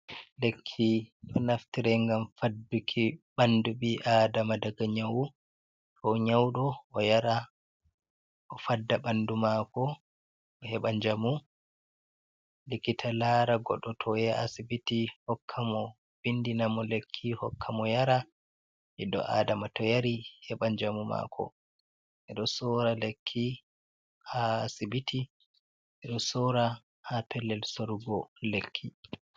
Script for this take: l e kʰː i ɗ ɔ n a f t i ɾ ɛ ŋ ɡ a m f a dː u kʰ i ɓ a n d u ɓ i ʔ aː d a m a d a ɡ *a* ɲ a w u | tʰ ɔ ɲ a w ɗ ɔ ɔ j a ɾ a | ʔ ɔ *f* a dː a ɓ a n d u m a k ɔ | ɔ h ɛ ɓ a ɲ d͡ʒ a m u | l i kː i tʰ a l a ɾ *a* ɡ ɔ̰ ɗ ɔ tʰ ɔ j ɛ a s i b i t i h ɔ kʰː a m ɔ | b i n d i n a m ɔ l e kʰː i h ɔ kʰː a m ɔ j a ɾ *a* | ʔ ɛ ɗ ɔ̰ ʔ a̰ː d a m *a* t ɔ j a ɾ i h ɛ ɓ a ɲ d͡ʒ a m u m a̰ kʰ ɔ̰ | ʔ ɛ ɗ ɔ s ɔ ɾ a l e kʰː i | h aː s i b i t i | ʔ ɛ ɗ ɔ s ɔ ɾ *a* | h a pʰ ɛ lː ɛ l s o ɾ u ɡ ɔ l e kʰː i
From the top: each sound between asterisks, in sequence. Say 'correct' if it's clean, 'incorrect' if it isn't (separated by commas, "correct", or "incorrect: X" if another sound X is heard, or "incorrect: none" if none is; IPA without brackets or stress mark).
correct, correct, correct, correct, correct, correct